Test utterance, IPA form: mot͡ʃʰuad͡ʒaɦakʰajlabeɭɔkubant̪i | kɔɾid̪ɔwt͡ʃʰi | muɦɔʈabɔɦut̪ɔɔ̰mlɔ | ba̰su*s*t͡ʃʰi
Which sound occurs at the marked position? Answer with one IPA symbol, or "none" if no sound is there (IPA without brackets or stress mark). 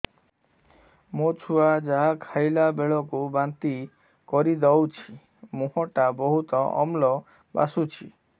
none